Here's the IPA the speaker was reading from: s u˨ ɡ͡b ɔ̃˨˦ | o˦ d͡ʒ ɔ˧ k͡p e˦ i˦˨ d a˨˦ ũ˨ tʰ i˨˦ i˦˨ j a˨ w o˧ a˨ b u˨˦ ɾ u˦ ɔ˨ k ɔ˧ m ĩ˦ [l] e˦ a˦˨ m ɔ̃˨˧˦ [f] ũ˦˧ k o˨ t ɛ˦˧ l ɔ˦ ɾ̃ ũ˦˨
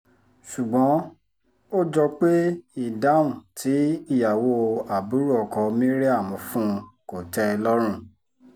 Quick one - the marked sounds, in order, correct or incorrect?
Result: incorrect: ɾ, correct

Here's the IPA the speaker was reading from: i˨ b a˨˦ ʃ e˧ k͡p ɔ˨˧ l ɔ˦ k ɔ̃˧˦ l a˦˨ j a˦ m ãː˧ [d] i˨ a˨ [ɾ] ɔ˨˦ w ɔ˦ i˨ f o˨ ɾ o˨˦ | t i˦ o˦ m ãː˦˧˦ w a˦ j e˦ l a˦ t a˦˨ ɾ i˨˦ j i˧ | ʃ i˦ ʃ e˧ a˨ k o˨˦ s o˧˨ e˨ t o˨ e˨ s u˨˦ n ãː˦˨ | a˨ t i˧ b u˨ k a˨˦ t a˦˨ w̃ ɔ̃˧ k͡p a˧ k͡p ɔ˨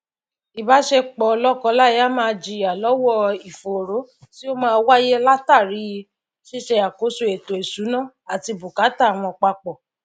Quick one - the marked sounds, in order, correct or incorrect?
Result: incorrect: d͡ʒ, incorrect: l

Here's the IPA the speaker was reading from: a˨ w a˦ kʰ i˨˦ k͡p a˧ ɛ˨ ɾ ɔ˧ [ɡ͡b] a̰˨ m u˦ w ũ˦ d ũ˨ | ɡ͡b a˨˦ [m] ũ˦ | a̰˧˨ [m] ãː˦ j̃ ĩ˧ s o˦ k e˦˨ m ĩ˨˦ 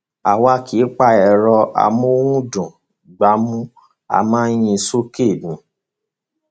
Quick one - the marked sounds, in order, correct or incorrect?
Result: incorrect: none, correct, correct

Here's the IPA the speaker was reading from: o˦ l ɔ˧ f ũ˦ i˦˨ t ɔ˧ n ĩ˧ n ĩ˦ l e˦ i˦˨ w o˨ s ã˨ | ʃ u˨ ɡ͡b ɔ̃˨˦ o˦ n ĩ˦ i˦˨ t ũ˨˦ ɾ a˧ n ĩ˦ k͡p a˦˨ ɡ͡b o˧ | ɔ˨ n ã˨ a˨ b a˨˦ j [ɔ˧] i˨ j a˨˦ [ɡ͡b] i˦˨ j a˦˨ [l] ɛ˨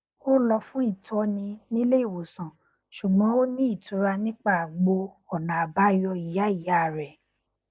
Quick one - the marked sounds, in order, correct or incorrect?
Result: correct, incorrect: none, incorrect: ɾ

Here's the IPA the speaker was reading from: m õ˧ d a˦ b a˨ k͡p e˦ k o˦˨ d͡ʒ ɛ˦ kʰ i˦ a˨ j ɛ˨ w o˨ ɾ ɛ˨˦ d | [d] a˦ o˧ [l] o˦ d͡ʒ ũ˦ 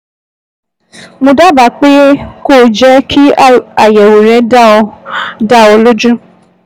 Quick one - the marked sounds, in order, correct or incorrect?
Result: correct, correct

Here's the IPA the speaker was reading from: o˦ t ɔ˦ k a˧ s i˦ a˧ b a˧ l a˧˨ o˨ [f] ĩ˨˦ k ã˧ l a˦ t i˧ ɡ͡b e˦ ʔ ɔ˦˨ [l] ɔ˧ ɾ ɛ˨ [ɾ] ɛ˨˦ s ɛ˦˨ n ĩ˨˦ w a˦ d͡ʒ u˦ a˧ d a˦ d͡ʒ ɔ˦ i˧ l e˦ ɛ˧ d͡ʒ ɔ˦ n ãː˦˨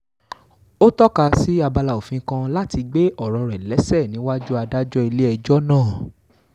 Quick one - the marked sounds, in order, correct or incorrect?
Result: correct, incorrect: ɾ, incorrect: l

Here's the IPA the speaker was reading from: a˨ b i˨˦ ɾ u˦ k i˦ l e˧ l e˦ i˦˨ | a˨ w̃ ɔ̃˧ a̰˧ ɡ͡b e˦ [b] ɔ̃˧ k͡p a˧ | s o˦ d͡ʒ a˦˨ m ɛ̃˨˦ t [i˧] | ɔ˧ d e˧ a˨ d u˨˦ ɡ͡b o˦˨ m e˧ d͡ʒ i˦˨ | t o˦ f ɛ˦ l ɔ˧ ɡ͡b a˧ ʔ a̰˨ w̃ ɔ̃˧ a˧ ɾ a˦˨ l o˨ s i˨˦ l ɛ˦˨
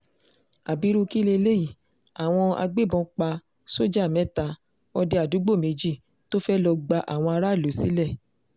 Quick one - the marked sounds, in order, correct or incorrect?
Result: correct, incorrect: a˧

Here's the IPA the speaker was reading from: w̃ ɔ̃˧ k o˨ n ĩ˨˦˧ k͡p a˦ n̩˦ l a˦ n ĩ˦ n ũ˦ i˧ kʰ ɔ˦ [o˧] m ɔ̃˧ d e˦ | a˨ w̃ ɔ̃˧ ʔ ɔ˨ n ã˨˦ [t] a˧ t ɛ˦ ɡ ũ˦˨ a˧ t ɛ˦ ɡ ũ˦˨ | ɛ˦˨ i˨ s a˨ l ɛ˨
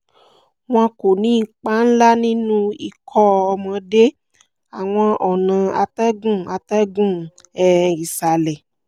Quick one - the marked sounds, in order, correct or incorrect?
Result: incorrect: ɔ˧, incorrect: none

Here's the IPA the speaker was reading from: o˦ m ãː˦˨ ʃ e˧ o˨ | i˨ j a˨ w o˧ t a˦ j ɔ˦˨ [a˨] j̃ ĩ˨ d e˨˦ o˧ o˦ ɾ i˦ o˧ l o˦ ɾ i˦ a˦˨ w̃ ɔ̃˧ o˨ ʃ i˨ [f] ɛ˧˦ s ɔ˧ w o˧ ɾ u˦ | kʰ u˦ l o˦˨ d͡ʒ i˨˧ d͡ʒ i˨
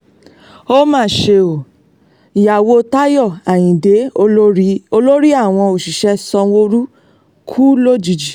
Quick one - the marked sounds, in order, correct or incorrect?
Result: correct, incorrect: ʃ

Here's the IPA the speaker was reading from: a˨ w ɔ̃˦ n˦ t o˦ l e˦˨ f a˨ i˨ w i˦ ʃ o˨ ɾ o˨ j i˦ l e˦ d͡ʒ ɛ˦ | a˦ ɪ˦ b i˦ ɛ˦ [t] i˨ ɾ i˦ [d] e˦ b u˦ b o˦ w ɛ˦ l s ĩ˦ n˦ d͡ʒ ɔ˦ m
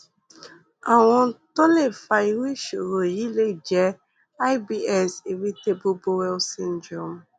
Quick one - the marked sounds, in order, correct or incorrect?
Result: incorrect: s, incorrect: t

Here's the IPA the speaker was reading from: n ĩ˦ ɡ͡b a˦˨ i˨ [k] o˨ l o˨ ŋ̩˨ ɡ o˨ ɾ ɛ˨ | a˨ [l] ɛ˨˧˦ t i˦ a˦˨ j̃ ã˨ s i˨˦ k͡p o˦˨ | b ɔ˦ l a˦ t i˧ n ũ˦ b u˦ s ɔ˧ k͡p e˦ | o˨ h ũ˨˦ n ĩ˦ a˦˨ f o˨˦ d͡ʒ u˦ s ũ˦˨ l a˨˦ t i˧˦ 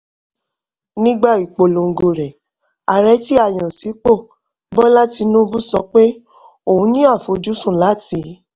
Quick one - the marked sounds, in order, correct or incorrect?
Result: incorrect: k͡p, incorrect: ɾ

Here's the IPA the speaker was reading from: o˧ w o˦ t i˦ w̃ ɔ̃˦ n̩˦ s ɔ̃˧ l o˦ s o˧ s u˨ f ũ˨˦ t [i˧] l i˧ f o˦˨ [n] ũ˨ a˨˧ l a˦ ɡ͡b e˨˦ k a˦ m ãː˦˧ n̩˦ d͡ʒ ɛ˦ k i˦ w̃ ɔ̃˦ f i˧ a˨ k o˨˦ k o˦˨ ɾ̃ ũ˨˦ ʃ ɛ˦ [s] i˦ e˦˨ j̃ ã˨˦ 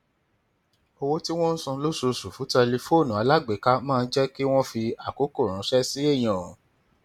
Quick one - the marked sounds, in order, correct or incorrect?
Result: incorrect: ɛ˧, correct, correct

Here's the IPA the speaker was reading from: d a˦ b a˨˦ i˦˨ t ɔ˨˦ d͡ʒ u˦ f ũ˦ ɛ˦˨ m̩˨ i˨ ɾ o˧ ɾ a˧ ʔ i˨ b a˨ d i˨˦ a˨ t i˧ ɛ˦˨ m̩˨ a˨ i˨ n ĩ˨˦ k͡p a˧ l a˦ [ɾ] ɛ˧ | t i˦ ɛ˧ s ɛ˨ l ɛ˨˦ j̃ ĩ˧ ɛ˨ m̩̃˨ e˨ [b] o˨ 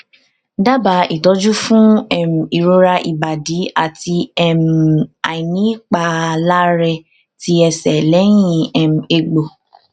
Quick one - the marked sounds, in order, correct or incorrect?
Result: correct, incorrect: ɡ͡b

